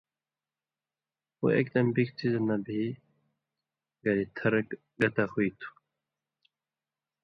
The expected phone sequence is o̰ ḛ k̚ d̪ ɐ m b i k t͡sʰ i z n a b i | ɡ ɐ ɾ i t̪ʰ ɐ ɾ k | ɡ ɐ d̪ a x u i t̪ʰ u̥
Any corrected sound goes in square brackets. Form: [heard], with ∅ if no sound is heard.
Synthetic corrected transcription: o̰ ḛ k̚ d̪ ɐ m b i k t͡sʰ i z n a b i | ɡ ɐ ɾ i t̪ʰ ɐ ɾ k | ɡ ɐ [t̪] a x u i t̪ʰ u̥